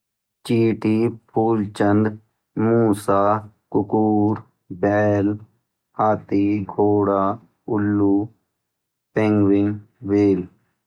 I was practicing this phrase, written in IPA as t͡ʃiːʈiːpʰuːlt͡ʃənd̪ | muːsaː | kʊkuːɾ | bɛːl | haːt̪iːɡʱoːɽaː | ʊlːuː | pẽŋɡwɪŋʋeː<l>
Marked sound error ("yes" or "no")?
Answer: no